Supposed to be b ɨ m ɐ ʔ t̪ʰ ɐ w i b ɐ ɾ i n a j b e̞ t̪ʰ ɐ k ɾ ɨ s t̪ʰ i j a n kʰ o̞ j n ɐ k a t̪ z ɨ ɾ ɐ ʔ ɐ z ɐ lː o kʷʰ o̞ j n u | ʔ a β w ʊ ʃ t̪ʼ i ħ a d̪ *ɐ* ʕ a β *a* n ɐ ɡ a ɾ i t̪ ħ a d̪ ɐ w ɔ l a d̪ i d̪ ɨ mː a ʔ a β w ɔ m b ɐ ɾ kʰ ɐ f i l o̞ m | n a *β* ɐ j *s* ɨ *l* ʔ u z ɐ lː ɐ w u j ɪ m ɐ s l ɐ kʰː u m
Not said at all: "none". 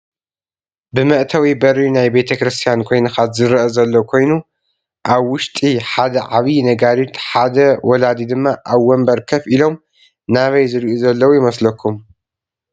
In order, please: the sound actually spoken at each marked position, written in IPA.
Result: ɐ, i, β, z, ɾ

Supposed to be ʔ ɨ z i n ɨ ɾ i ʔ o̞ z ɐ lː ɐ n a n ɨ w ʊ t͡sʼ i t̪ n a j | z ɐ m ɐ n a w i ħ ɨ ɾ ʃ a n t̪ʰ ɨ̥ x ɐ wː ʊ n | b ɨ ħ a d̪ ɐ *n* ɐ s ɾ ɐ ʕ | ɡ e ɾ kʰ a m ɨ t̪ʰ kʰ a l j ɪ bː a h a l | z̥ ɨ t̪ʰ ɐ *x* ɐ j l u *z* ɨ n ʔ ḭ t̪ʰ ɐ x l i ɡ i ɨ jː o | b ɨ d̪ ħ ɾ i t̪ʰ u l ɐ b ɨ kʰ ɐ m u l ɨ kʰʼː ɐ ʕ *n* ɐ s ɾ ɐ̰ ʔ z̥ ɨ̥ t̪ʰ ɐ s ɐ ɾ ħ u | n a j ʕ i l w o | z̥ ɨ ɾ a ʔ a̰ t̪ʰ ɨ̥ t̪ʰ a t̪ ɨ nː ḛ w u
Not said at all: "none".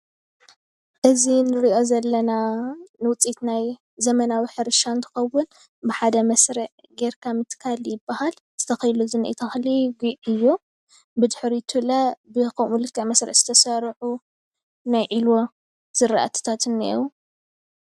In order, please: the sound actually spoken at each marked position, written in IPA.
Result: m, x, z, m

